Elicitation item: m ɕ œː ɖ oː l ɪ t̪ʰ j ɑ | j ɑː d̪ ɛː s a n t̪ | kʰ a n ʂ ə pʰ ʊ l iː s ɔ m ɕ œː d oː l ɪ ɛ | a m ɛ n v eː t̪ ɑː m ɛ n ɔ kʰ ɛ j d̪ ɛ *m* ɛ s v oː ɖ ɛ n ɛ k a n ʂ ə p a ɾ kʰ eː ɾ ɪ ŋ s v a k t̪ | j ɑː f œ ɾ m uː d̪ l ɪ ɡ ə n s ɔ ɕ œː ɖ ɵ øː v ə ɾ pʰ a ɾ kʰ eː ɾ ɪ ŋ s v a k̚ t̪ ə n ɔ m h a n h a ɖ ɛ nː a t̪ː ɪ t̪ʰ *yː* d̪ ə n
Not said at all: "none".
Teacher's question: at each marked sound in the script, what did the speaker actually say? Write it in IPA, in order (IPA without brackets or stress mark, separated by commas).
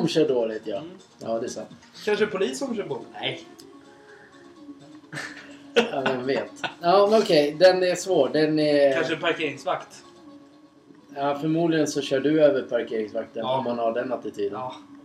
n, yː